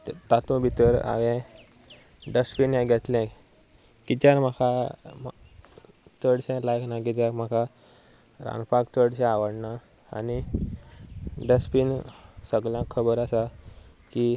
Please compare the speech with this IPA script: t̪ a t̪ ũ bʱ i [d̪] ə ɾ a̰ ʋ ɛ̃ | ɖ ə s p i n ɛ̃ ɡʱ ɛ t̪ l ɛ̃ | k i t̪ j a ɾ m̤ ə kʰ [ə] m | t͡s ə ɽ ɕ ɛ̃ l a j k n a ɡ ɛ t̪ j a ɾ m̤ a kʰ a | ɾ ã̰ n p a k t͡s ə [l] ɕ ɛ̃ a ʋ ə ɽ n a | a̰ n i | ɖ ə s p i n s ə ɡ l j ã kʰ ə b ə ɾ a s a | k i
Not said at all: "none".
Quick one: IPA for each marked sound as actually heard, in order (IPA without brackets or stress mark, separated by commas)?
t̪, a, ɽ